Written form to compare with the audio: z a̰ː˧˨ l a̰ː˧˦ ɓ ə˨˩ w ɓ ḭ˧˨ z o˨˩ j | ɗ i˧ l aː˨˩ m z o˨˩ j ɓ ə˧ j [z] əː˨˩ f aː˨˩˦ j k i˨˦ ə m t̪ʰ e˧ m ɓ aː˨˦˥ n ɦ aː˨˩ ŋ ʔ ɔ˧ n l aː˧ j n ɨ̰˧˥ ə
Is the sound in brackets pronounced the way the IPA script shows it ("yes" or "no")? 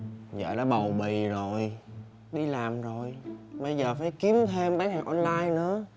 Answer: yes